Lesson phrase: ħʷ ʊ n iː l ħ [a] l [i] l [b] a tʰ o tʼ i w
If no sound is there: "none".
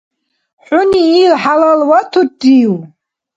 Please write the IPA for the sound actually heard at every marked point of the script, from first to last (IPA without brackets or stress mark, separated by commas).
a, a, w